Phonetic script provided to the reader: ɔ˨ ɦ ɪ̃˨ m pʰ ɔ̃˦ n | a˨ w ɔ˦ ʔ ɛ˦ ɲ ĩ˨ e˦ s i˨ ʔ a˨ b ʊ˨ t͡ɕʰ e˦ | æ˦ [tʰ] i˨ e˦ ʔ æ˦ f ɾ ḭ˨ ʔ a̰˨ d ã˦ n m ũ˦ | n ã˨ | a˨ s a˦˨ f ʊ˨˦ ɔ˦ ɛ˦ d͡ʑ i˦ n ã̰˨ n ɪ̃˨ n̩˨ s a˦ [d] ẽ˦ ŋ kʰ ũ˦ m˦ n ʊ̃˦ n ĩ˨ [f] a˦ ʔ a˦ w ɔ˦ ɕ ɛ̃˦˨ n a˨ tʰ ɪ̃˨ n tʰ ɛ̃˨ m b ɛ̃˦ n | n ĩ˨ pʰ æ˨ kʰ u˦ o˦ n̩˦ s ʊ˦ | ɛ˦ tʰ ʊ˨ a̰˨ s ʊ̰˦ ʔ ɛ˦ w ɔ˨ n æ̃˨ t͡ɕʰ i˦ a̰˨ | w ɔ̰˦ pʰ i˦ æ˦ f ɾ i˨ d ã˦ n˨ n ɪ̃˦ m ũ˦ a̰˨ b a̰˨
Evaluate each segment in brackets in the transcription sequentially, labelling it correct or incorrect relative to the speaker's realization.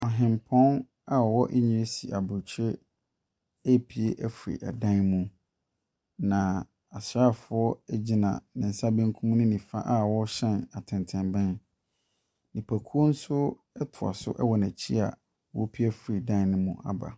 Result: incorrect: pʰ, incorrect: b, correct

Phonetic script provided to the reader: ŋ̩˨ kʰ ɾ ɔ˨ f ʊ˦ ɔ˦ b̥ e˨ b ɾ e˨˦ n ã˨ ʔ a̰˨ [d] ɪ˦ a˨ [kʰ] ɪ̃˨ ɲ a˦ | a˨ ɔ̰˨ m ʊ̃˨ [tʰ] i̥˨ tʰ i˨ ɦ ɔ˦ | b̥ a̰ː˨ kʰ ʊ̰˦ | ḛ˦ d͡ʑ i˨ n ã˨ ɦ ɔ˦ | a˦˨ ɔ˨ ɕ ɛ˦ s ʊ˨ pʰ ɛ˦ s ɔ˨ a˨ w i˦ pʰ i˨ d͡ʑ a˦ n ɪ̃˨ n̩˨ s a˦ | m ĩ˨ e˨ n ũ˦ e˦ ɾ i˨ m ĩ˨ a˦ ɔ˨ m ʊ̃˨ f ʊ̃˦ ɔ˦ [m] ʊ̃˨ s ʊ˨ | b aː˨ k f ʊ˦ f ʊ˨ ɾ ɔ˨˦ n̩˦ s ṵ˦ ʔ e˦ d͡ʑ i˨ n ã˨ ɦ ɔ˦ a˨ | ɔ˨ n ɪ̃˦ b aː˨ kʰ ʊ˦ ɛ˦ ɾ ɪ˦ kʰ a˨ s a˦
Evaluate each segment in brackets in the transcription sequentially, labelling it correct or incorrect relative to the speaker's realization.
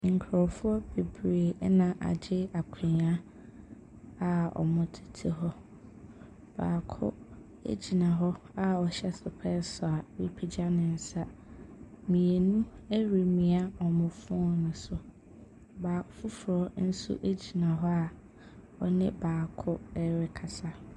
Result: incorrect: d͡ʑ, correct, correct, incorrect: n

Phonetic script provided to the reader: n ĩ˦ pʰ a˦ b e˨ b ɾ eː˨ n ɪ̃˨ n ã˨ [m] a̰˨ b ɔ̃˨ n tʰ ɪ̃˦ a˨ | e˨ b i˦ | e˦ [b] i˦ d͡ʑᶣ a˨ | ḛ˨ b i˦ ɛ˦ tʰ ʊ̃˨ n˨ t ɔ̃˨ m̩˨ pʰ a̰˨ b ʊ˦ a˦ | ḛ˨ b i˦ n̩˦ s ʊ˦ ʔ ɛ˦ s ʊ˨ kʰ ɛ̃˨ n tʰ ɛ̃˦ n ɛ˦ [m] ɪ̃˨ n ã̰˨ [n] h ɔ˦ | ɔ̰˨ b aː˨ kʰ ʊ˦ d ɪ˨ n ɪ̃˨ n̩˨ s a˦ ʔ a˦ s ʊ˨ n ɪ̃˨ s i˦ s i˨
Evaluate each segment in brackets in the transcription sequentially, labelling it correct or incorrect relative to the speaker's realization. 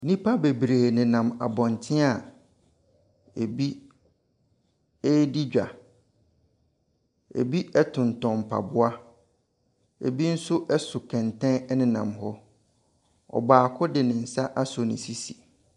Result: correct, incorrect: d, incorrect: n, incorrect: m

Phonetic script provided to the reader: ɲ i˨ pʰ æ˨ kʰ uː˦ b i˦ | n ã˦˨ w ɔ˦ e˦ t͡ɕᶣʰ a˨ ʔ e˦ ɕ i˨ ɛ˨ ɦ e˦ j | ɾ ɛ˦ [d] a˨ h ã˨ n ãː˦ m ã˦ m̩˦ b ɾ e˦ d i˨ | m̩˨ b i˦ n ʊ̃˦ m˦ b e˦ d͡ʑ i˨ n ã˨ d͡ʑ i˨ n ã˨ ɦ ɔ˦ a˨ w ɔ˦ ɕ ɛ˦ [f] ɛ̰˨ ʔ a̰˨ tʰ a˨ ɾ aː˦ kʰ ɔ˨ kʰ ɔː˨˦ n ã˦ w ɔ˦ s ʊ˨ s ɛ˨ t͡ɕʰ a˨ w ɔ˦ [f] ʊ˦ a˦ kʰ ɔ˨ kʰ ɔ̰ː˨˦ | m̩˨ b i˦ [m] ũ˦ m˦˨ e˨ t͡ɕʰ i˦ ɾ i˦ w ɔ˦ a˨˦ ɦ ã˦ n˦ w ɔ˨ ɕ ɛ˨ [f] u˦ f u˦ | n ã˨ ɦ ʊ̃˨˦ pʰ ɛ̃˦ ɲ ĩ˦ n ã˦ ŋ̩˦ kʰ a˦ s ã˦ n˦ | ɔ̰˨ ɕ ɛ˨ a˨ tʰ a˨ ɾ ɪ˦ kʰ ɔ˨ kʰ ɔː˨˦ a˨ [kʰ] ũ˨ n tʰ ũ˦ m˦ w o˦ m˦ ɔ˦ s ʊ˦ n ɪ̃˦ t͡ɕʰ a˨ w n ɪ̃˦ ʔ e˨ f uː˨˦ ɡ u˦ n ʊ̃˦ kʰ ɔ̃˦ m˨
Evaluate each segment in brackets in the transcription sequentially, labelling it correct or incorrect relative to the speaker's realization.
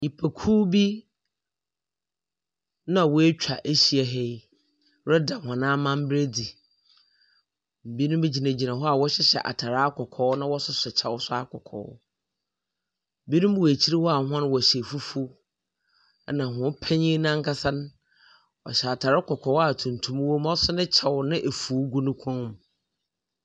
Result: correct, incorrect: ɕ, incorrect: s, incorrect: n, correct, incorrect: tʰ

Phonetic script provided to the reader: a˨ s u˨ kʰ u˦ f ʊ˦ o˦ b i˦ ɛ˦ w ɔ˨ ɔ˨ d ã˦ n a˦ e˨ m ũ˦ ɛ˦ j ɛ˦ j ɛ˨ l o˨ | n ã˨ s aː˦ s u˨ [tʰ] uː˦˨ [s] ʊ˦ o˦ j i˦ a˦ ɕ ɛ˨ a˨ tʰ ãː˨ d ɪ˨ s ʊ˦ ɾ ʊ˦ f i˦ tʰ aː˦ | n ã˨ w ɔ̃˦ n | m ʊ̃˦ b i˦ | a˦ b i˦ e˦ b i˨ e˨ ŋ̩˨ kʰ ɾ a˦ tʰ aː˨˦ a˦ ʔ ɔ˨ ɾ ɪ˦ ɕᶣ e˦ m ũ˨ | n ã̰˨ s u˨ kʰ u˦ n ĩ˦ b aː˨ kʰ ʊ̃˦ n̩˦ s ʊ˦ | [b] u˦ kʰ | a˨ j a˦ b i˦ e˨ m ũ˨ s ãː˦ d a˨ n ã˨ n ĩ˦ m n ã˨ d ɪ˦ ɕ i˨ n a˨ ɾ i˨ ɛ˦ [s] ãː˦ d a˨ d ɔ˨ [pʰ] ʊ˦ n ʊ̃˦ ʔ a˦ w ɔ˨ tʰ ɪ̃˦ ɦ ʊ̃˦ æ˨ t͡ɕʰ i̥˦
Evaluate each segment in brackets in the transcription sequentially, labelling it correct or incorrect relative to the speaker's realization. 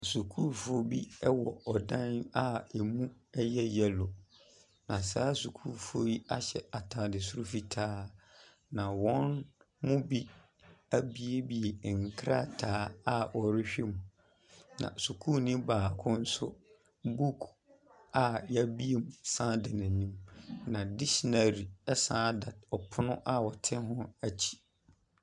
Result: incorrect: kʰ, incorrect: f, correct, correct, correct

